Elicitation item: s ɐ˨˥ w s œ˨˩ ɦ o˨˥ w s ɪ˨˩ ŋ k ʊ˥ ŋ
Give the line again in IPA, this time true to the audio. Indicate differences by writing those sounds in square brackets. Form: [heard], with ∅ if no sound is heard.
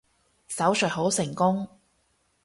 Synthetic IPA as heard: s ɐ˨˥ w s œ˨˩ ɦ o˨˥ w s ɪ˨˩ ŋ k ʊ˥ ŋ